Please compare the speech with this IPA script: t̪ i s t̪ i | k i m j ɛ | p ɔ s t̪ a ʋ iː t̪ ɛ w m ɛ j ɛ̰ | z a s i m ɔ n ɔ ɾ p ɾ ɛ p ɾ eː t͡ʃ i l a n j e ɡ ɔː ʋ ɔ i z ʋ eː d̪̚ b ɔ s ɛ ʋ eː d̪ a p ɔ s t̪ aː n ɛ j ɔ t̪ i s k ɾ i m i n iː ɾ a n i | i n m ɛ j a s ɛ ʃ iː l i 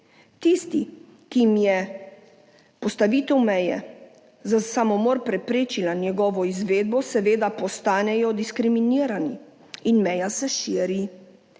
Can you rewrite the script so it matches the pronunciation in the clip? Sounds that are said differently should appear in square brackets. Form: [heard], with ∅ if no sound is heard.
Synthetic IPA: t̪ i s t̪ i | k i m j ɛ | p ɔ s t̪ a ʋ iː t̪ ɛ w m ɛ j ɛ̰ | z a s [a] m ɔ [m] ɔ ɾ p ɾ ɛ p ɾ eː t͡ʃ i l a n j [ɛ] ɡ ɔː ʋ ɔ i z ʋ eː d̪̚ b ɔ s ɛ ʋ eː d̪ a p ɔ s t̪ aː n ɛ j ɔ [d̪] i s k ɾ i m i n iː ɾ a n i | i n m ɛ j a s ɛ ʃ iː [ɾ] i